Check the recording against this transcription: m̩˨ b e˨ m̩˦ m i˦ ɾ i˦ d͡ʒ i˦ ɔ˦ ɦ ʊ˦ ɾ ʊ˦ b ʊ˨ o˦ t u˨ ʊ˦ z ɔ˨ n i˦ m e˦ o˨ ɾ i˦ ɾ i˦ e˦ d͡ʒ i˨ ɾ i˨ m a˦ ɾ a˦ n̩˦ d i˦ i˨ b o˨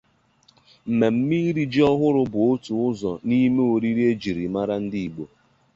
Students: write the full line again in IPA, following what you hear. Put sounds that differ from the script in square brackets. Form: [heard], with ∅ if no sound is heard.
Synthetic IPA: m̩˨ [m] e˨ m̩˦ m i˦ ɾ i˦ d͡ʒ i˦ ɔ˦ ɦ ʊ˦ ɾ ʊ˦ b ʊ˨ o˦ t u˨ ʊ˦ z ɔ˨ n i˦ m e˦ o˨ ɾ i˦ ɾ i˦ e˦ d͡ʒ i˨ ɾ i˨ m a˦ ɾ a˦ n̩˦ d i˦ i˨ [ɡ͡b] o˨